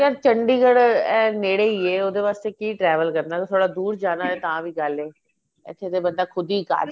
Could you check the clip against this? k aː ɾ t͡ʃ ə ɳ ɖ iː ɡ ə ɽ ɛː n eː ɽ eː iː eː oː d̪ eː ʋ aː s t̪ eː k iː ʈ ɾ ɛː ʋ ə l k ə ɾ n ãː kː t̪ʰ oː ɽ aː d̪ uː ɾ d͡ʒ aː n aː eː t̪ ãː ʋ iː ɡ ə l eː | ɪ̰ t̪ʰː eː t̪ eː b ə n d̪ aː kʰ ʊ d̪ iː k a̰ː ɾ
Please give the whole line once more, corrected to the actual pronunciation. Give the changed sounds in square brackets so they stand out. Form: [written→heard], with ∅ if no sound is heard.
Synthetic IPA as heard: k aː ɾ t͡ʃ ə ɳ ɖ iː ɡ ə ɽ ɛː n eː ɽ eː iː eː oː d̪ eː ʋ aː s t̪ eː k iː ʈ ɾ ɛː ʋ ə l k ə ɾ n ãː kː t̪ʰ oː ɽ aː d̪ uː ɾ d͡ʒ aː n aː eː t̪ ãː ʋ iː ɡ ə l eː | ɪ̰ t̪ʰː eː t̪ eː b ə n d̪ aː kʰ ʊ d̪ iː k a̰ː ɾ